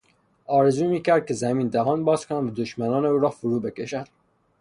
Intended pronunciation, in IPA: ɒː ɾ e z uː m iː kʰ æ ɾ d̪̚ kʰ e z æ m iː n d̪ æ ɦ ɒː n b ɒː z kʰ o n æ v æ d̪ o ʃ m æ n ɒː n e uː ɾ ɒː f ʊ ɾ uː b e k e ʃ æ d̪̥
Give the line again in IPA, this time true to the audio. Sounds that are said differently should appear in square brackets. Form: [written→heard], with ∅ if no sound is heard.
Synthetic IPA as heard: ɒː ɾ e z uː m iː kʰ æ ɾ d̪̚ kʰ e z æ m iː n d̪ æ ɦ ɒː n b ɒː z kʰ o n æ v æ d̪ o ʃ m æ n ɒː n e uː ɾ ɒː f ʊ ɾ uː b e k e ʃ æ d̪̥